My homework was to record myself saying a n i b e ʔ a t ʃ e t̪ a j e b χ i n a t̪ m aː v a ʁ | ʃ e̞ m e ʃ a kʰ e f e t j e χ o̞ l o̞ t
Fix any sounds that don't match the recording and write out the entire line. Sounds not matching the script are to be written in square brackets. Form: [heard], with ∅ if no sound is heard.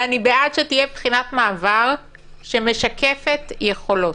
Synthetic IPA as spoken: a n i b e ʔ a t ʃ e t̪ [i] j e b χ i n a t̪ m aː v a ʁ | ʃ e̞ m e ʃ a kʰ e f e t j e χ o̞ l o̞ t

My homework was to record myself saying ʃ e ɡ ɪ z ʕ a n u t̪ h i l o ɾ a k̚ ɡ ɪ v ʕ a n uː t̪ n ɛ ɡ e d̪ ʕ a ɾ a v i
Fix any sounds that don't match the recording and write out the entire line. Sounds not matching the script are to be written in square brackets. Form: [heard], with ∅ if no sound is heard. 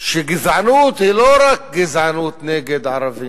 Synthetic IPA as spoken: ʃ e ɡ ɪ z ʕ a n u t̪ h i l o ɾ a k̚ ɡ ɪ [z] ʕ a n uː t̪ n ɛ ɡ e d̪ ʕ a ɾ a v i

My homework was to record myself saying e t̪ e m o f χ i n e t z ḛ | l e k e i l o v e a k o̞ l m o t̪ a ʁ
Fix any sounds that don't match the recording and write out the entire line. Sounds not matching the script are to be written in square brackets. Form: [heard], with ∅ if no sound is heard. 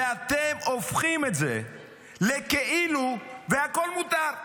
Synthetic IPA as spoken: [a] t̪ e m o f χ i [m] e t z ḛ | l e k e i l [u] v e a k o̞ l m [u] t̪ a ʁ

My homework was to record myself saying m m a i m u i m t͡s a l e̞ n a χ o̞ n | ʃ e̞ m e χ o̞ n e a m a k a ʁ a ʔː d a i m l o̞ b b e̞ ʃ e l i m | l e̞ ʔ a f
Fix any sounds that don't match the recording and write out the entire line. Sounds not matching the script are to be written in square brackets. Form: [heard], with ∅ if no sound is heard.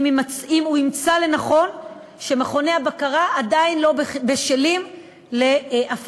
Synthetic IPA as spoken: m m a i m u i m t͡s a l e̞ n a χ o̞ n | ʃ e̞ m e χ o̞ n e a [b] a k a ʁ a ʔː d a i [n] l o̞ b b e̞ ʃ e l i m | l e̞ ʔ a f

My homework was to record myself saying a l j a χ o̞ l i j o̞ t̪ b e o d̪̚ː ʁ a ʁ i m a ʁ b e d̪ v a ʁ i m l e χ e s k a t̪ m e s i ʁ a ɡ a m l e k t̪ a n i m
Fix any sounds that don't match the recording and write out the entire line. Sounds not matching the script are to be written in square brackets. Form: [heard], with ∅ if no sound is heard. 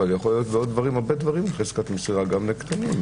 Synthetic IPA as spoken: a l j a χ o̞ l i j o̞ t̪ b e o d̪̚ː [v] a ʁ i m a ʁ b e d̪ v a ʁ i m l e χ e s k a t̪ m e s i ʁ a ɡ a m l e k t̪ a n i m

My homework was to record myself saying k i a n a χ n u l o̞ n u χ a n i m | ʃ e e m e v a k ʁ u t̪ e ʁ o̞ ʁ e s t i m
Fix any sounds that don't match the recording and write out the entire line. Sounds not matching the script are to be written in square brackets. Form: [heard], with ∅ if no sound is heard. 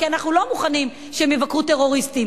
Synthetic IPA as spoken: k i a n a χ n u l o̞ [m] u χ a n i m | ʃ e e m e v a k ʁ u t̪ e ʁ o̞ ʁ [i] s t i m

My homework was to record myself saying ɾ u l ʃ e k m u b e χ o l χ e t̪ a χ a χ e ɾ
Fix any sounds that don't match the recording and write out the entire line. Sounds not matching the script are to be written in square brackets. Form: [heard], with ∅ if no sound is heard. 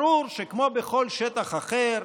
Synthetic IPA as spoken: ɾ u [ɾ] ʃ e k m [o] b e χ o l [ʃ] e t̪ a χ a χ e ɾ

